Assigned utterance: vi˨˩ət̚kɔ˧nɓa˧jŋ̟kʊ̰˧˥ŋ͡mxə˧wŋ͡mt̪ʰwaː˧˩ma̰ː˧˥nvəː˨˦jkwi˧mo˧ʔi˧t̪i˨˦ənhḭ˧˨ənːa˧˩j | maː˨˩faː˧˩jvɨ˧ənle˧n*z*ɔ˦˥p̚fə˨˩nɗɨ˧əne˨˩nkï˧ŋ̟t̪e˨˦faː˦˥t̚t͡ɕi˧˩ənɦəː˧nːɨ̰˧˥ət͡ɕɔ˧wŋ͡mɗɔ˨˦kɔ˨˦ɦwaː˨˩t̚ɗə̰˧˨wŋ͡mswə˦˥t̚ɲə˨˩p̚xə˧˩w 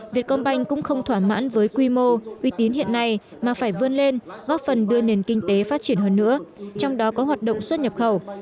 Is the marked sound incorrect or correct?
incorrect